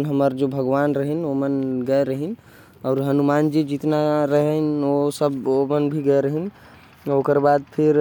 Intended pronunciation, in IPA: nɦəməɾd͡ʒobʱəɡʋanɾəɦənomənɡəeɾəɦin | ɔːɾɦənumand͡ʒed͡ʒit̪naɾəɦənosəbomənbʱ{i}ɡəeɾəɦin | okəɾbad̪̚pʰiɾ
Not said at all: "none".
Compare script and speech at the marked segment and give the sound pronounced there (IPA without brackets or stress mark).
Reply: i